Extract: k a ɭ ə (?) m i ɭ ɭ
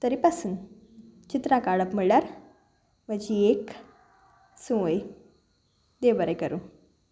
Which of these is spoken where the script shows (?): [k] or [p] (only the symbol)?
p